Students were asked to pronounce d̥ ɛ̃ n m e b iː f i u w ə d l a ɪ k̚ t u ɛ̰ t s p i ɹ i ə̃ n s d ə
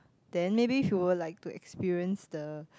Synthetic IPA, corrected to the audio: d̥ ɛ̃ n m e b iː f j u w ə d l a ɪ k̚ t u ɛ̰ k s p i ɹ i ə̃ n s d ə